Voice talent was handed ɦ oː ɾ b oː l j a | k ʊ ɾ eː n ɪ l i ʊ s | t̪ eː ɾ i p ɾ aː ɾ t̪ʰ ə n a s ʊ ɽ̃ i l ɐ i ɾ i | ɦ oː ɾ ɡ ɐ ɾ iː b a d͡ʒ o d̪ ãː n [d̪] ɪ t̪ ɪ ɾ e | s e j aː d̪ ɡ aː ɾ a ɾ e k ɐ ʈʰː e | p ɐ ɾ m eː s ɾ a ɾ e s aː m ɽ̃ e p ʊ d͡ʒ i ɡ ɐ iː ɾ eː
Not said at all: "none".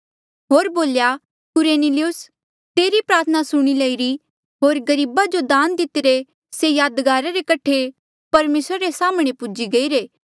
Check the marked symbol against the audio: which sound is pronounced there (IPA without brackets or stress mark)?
d̪